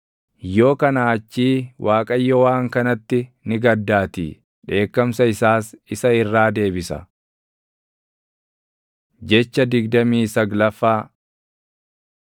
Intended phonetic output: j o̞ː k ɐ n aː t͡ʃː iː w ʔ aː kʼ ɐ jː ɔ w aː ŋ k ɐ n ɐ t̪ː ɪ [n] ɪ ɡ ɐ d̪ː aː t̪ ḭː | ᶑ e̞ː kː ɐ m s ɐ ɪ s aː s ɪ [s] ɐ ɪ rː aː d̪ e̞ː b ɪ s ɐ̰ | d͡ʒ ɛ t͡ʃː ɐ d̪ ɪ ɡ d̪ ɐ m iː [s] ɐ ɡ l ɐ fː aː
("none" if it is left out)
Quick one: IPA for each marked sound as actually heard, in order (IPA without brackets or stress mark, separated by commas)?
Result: n, s, s